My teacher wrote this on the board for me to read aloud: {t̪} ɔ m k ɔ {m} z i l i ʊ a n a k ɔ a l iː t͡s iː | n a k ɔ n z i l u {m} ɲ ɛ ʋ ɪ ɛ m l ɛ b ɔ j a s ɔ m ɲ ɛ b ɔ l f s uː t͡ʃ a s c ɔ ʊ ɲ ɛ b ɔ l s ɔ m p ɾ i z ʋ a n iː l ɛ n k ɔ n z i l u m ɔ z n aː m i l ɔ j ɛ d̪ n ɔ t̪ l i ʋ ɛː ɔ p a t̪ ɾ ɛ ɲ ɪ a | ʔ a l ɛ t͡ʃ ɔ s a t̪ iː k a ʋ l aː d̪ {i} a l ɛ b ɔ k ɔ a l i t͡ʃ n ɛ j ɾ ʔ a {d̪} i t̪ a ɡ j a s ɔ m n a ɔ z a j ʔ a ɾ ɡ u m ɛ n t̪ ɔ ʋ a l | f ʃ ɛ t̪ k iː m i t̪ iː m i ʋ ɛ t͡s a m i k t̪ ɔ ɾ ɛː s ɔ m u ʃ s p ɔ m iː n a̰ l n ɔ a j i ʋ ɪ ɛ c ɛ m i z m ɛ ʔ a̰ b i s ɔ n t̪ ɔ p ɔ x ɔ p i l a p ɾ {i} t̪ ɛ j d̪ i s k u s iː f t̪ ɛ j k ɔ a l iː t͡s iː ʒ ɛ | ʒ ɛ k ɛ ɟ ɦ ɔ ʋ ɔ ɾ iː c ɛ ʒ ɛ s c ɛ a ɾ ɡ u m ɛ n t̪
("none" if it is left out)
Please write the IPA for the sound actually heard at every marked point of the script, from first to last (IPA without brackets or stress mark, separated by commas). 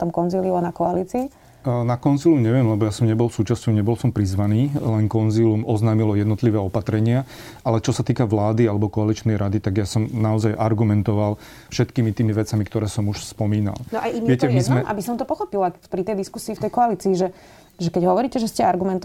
t̪, n, m, i, d̪, i